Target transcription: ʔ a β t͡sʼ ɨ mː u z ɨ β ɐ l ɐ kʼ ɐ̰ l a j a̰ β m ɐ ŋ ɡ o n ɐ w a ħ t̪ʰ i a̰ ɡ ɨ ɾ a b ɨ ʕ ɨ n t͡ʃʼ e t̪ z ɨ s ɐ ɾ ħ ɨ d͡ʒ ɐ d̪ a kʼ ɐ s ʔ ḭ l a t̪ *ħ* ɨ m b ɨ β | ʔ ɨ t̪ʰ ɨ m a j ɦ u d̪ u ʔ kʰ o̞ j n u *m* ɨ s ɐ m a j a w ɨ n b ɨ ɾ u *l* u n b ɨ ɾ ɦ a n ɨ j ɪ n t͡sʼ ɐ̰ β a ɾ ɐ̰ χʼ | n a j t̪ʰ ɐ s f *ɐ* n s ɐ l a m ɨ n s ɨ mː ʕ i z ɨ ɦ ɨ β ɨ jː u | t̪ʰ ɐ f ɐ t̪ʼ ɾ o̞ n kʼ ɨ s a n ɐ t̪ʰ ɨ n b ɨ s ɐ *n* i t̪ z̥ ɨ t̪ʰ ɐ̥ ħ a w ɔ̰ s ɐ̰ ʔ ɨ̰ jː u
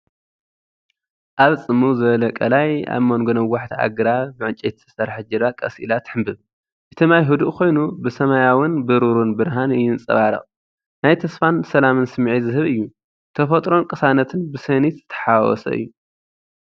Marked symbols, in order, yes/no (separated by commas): yes, no, no, no, yes